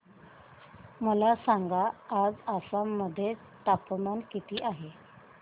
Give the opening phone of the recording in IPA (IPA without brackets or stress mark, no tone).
m